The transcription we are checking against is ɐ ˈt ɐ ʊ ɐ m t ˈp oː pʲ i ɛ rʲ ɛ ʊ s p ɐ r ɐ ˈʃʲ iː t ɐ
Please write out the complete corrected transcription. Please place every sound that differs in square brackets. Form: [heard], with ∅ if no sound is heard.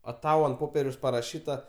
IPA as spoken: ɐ ˈt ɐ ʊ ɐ [n] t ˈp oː pʲ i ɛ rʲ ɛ ʊ s p ɐ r ɐ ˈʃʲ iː t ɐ